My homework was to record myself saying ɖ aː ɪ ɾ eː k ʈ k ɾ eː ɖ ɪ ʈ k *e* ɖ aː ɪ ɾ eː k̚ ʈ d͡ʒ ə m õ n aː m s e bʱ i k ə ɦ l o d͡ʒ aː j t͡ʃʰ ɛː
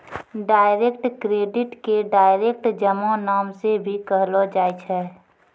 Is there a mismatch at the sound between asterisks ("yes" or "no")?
no